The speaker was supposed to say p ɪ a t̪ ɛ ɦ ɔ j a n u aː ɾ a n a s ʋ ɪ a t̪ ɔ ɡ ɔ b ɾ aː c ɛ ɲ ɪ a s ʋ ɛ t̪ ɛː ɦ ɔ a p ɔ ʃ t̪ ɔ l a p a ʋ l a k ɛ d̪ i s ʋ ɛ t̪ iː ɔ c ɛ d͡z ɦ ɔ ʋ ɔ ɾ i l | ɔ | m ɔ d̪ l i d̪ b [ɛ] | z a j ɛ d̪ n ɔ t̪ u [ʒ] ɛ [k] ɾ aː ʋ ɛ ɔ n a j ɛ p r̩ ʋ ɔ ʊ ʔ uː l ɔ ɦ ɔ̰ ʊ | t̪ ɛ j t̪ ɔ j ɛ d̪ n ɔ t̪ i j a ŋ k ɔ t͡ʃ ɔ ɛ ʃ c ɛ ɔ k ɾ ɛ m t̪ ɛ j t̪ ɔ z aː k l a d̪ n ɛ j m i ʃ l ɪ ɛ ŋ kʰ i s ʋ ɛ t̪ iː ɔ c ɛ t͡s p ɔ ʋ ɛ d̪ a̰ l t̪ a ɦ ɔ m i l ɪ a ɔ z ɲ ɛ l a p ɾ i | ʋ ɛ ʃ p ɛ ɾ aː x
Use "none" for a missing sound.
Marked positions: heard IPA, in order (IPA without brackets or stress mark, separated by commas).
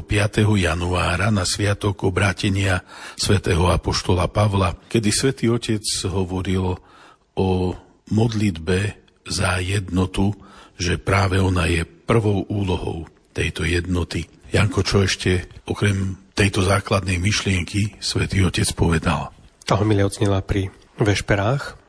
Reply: ɛ, ʒ, p